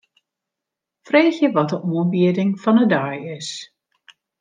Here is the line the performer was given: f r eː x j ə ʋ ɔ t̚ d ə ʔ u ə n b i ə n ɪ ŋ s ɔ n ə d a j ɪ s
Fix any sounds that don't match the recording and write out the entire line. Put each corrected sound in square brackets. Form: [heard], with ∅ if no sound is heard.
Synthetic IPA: f r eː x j ə ʋ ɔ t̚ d ə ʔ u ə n b i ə [d] ɪ ŋ [f] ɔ n ə d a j ɪ s